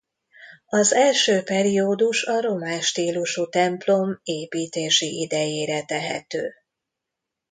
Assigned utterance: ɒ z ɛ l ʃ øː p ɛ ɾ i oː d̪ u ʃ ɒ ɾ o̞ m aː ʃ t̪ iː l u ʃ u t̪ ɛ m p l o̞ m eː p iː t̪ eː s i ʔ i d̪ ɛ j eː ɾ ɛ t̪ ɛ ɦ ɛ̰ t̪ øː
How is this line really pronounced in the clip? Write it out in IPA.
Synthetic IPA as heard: ɒ z ɛ l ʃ øː p ɛ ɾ i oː d̪ u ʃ ɒ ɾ o̞ m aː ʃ t̪ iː l u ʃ u t̪ ɛ m p l o̞ m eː p iː t̪ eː ʃ i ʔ i d̪ ɛ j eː ɾ ɛ t̪ ɛ ɦ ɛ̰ t̪ øː